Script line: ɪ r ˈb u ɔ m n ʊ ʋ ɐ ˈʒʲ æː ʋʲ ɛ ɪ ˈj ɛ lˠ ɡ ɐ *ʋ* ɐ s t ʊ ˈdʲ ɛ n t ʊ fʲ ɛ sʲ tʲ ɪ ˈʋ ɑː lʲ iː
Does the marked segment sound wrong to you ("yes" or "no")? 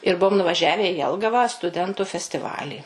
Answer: no